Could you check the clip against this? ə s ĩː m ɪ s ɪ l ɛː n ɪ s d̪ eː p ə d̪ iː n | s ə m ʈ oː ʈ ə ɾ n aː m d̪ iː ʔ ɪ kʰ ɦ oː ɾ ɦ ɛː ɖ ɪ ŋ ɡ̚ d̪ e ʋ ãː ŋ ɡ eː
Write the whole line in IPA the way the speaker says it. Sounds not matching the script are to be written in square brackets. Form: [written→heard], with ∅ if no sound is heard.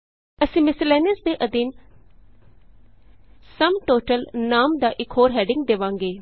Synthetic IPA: ə s ĩː m ɪ s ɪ l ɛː n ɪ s d̪ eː [p→ʔ] ə d̪ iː n | s ə m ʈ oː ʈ ə [ɾ→l] n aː m d̪ [iː→aː] ʔ ɪ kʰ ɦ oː ɾ ɦ ɛː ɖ ɪ ŋ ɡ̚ d̪ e ʋ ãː ŋ ɡ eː